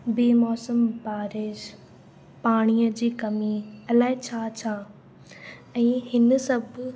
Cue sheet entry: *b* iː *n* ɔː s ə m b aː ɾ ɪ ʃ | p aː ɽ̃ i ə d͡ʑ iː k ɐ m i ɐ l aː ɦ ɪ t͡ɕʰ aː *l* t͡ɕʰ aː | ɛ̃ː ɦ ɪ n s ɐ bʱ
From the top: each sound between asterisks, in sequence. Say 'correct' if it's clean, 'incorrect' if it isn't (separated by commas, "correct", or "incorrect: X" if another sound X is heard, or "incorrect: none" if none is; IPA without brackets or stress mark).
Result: correct, incorrect: m, incorrect: none